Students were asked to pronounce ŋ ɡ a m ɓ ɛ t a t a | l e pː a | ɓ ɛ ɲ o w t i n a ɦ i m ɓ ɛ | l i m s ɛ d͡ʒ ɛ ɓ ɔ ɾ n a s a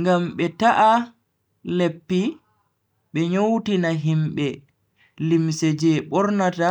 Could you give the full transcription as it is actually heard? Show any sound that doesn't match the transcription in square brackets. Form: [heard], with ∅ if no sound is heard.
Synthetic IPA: ŋ ɡ a m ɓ ɛ t a [ʔ] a | l e pː [i] | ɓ ɛ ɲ o w t i n a ɦ i m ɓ ɛ | l i m s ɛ d͡ʒ ɛ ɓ ɔ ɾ n a [t] a

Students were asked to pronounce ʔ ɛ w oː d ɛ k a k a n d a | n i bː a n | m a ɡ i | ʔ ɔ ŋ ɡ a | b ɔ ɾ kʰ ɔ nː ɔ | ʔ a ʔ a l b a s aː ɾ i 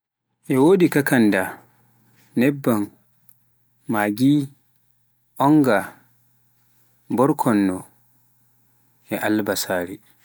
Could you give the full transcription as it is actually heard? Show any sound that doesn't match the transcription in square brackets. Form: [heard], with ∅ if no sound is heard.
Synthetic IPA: ʔ ɛ w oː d [i] k a k a n d a | n [ɛ] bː a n | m a ɡ i | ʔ ɔ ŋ ɡ a | b ɔ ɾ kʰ ɔ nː ɔ | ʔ [ɛ] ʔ a l b a s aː ɾ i

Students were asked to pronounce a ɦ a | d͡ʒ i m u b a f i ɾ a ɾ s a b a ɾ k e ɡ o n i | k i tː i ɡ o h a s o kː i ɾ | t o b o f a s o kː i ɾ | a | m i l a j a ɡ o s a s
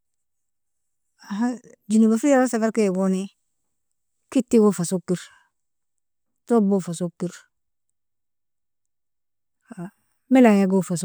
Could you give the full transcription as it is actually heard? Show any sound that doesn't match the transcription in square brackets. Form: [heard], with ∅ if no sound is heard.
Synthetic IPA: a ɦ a | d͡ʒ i [n] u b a f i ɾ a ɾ s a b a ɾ k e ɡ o n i | k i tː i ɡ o [f] a s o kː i ɾ | t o b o f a s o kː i ɾ | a | m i l a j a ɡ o [f] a s

